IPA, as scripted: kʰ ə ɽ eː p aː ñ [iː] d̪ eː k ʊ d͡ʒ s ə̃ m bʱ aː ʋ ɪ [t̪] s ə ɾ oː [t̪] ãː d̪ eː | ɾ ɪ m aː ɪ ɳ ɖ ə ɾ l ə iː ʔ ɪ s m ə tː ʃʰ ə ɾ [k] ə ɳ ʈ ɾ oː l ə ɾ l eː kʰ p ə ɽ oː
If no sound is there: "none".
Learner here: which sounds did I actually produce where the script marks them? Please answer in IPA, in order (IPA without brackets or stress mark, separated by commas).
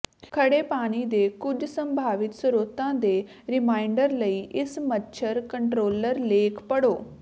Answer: iː, t̪, t̪, k